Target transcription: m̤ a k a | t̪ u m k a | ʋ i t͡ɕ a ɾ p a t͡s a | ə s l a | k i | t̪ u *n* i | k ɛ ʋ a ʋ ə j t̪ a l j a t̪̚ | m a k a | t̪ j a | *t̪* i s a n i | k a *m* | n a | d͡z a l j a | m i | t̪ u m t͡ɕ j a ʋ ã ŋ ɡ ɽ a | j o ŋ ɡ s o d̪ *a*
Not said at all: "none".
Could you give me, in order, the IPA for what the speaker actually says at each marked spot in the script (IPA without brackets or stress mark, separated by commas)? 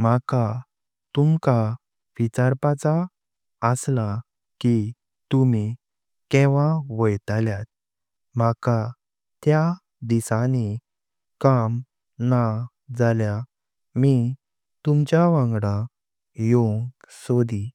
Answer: m, d̪, m, i